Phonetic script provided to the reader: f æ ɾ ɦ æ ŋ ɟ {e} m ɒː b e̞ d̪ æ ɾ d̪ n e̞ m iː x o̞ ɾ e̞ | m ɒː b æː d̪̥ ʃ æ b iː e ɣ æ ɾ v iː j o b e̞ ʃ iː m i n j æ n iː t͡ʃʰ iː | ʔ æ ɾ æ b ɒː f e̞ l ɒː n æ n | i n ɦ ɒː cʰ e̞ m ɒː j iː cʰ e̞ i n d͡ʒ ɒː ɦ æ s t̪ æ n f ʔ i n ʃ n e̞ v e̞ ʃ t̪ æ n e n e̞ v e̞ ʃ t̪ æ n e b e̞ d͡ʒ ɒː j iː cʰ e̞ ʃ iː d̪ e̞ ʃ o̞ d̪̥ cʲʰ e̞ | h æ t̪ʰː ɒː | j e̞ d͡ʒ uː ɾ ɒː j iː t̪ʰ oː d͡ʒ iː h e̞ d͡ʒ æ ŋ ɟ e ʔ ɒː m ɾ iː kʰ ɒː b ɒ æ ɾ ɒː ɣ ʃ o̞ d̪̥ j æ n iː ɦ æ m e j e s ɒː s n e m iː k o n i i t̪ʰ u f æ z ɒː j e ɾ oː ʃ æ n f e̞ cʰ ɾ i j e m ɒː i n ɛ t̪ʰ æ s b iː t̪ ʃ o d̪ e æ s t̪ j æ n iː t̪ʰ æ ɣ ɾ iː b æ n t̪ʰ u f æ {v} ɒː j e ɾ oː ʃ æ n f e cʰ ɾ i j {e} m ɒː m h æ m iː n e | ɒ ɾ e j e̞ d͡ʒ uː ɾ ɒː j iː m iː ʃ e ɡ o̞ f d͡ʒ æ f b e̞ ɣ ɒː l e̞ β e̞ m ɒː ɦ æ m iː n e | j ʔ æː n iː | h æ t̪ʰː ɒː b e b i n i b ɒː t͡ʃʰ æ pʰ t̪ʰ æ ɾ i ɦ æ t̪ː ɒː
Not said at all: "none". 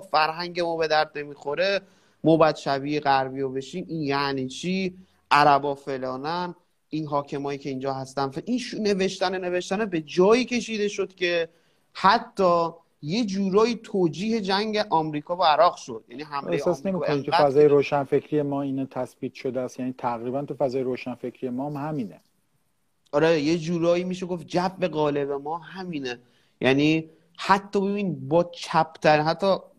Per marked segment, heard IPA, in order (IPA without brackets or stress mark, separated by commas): e, z, e